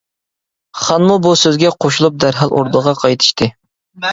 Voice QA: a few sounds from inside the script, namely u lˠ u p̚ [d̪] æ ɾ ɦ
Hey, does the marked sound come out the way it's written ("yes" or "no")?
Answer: yes